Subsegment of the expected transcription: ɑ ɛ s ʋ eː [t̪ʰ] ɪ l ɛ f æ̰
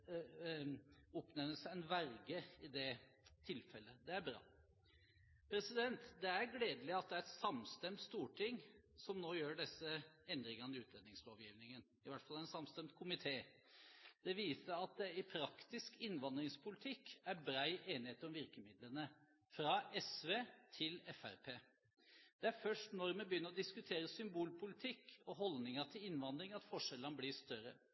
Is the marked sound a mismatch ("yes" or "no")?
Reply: no